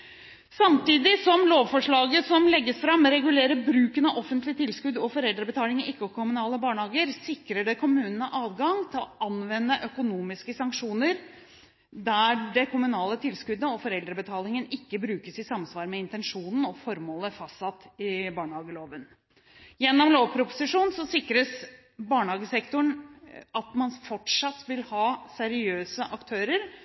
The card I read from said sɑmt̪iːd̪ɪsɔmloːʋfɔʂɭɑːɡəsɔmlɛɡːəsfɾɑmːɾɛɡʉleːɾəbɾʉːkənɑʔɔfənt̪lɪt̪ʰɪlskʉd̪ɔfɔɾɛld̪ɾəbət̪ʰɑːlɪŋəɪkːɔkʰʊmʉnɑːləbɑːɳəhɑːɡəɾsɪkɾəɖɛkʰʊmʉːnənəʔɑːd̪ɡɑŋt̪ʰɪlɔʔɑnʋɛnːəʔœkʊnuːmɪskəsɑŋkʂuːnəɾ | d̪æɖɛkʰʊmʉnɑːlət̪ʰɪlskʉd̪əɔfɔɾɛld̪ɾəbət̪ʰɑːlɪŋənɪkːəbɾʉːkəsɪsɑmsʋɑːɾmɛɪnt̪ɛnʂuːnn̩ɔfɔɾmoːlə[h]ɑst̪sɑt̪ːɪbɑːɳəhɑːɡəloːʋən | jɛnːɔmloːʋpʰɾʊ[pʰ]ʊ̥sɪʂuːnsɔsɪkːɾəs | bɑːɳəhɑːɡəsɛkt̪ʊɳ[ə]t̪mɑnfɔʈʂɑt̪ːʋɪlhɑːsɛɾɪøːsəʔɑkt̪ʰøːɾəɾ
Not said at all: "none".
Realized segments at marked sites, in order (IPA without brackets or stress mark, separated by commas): f, p, ɑ